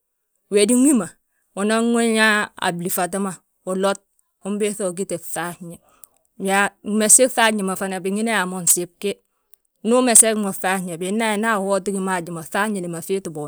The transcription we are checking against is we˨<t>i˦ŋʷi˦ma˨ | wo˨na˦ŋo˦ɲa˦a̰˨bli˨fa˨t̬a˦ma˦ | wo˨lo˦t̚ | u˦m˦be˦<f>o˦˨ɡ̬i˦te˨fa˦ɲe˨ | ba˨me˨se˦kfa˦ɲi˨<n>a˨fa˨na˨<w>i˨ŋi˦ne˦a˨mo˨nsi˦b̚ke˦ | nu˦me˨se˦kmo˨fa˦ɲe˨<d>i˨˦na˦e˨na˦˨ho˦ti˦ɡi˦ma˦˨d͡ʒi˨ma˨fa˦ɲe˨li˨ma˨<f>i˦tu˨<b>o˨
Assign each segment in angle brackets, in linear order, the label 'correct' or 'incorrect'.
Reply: incorrect: d, incorrect: θ, incorrect: m, incorrect: b, incorrect: b, correct, correct

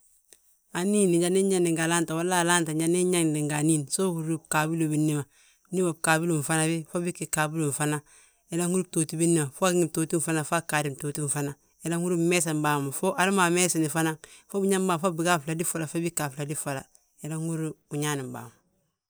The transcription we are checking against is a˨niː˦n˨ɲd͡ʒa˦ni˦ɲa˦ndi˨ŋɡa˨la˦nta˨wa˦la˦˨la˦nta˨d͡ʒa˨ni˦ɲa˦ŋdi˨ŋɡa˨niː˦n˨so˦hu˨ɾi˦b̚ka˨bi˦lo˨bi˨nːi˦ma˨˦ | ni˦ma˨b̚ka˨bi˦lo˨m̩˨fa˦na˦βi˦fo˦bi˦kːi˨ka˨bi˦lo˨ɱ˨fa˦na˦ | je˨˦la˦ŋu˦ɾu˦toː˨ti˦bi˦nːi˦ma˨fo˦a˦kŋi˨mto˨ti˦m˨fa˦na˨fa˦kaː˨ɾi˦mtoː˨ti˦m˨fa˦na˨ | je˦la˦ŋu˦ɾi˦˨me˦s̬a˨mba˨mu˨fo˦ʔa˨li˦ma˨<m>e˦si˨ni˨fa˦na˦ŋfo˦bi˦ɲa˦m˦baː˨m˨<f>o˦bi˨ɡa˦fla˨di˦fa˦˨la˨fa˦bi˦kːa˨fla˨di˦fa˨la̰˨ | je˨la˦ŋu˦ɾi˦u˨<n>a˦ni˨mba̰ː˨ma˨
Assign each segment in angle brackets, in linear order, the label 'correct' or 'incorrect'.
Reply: correct, correct, incorrect: ɲ

